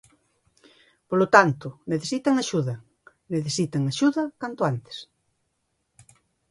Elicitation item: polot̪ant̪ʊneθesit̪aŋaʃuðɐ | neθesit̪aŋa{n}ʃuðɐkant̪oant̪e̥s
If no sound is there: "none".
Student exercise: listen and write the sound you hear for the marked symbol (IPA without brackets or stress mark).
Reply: none